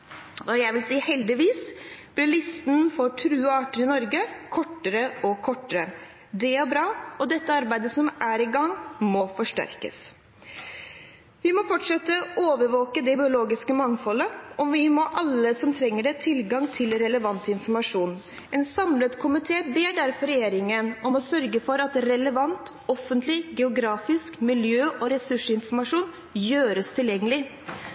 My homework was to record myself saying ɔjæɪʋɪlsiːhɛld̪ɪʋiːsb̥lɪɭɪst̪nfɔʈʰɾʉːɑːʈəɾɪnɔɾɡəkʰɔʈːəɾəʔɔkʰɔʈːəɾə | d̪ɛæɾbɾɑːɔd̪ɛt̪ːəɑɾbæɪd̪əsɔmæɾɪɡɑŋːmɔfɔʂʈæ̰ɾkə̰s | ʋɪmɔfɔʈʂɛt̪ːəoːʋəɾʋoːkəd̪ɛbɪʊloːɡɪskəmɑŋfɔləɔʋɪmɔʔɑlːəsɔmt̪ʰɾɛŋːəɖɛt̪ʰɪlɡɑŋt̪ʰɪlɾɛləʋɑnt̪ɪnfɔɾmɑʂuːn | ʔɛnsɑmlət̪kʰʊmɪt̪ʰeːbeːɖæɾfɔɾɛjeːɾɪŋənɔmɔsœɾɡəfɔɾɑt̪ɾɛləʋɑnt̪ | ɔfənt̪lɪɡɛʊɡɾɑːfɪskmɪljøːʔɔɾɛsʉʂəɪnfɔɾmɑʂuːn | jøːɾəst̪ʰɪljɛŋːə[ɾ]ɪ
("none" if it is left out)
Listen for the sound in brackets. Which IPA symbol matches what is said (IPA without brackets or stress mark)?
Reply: l